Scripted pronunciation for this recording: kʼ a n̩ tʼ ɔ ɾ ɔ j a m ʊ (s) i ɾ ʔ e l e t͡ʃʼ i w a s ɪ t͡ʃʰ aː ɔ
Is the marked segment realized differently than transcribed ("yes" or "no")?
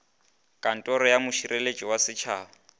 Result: yes